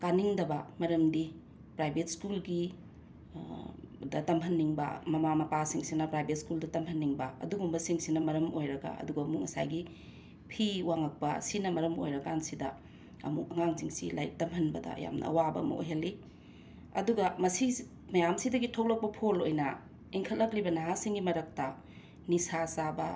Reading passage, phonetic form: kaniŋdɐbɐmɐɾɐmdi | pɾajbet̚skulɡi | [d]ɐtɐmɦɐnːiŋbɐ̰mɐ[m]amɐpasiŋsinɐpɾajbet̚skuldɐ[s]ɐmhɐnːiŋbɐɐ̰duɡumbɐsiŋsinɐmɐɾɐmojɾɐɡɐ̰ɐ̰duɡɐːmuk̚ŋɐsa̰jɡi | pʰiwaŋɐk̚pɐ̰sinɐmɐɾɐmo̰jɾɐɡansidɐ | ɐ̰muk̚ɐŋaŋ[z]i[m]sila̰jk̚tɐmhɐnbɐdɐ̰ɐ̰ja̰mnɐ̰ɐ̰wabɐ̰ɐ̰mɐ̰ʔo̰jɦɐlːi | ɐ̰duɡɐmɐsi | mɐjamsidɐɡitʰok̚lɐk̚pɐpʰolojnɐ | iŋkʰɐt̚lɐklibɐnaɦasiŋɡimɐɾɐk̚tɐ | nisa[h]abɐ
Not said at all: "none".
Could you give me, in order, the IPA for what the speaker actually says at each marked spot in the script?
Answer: d, m, t, z, ŋ, s

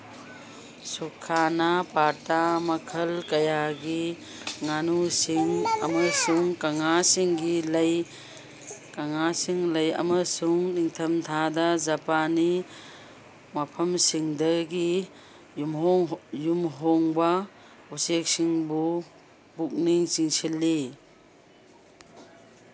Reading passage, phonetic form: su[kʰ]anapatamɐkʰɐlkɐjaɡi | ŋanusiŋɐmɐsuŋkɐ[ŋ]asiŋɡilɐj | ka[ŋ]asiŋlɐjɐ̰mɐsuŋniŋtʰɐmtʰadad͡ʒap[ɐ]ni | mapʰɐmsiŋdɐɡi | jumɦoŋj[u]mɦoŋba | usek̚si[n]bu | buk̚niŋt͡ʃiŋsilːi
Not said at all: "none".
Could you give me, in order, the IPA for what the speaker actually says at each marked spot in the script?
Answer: kʰ, ŋ, ŋ, a, u, ŋ

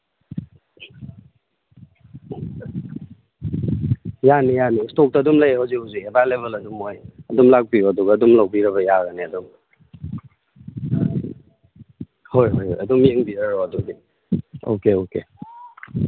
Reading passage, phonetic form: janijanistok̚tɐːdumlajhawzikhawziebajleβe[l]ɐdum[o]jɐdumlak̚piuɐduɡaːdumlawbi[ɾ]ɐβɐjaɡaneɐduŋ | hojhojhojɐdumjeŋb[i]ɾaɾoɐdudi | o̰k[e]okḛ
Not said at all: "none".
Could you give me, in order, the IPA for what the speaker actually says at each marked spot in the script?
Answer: l, o, ɾ, i, e

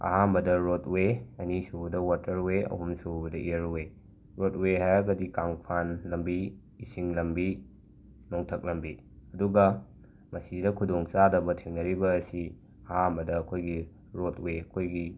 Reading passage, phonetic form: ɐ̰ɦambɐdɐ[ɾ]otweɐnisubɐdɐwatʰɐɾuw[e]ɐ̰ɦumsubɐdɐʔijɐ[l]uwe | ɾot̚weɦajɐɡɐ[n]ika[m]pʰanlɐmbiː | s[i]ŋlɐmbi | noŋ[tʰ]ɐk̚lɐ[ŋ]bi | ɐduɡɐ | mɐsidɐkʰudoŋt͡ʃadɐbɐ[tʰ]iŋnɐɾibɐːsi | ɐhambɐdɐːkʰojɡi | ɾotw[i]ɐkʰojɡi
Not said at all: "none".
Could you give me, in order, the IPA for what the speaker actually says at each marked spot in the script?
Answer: ɾ, e, ɾ, d, ŋ, i, tʰ, m, tʰ, e

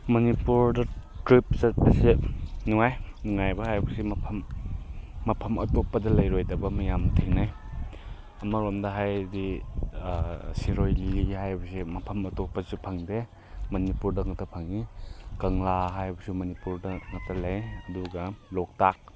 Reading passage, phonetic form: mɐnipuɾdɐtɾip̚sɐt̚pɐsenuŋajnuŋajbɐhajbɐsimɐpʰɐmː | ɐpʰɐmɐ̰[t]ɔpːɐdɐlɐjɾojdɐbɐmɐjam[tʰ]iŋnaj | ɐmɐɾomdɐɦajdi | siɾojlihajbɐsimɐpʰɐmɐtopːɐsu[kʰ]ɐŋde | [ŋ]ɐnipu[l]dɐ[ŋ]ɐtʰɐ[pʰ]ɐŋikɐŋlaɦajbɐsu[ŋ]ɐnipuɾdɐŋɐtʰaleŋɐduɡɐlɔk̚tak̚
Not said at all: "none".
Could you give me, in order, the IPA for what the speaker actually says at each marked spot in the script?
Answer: t, tʰ, pʰ, m, ɾ, ŋ, pʰ, m

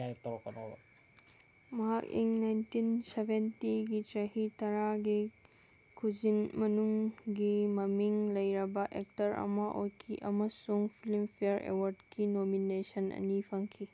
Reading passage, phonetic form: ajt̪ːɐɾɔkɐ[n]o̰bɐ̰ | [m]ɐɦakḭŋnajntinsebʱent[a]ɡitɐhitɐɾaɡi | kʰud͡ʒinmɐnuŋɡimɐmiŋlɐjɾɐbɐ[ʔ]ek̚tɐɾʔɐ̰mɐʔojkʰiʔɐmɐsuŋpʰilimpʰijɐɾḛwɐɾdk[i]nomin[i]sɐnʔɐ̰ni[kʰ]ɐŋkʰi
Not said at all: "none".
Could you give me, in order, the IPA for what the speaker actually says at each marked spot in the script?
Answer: n, m, i, ʔ, i, e, pʰ

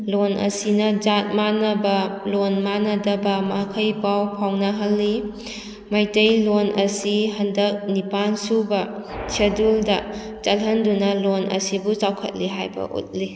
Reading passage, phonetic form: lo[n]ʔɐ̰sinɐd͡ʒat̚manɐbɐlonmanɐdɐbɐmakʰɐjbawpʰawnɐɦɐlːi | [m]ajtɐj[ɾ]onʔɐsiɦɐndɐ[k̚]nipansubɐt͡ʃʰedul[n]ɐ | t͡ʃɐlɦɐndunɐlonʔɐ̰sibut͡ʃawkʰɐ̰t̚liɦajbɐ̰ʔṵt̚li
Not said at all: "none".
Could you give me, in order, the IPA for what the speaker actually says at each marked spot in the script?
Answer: n, m, l, k̚, d

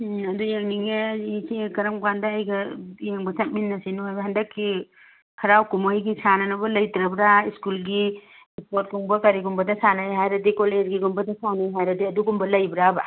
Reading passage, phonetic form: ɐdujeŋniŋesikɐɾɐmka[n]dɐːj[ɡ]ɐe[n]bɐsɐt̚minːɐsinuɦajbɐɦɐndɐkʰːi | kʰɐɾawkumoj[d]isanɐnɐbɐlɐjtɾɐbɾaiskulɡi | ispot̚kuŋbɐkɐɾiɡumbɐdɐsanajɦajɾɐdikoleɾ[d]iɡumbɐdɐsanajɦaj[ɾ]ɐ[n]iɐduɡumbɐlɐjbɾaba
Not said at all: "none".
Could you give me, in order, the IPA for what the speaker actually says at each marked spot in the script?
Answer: n, ɡ, ŋ, ɡ, ɡ, ɾ, d

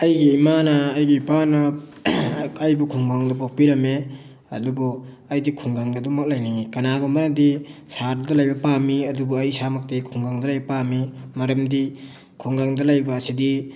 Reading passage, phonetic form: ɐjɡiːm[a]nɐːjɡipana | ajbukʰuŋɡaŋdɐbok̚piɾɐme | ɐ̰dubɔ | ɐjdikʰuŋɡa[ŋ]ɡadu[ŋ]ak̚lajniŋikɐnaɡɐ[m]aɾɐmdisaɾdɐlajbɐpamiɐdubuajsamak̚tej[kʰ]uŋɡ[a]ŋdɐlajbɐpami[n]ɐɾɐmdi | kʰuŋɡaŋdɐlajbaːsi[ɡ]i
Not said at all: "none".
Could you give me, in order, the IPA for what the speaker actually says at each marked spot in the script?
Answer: a, ŋ, m, m, kʰ, a, m, d

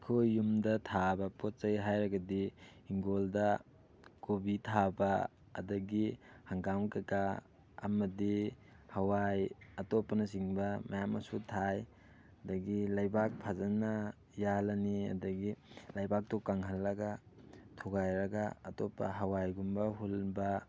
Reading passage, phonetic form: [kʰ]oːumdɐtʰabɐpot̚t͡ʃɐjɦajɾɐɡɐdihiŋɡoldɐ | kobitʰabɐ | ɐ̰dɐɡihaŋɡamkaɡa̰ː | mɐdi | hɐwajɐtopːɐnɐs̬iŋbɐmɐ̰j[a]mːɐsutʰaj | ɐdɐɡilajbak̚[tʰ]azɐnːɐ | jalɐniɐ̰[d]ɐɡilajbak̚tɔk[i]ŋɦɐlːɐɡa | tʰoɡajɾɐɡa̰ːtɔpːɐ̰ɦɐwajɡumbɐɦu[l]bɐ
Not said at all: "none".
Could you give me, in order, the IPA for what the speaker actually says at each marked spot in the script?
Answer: kʰ, a, pʰ, d, a, l

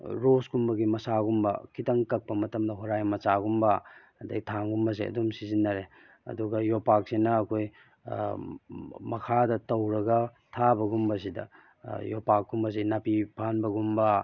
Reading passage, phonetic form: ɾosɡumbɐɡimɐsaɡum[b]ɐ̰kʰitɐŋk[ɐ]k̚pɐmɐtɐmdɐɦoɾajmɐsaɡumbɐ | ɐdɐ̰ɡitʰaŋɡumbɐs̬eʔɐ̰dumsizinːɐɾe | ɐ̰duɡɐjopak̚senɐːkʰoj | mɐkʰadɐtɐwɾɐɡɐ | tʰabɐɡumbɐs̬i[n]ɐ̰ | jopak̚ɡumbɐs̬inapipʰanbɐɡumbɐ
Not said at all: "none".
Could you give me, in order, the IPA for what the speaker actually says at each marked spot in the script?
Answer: b, ɐ, d

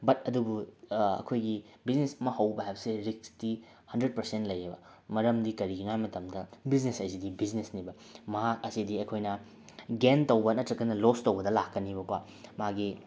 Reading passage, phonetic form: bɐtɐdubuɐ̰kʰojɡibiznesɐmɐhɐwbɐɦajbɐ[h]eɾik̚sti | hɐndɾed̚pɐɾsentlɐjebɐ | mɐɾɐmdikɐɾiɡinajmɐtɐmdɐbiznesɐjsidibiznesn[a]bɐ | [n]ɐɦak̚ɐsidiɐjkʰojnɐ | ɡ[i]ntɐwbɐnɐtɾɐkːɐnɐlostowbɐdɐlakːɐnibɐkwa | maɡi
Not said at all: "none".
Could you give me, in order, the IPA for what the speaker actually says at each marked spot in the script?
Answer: s, i, m, e

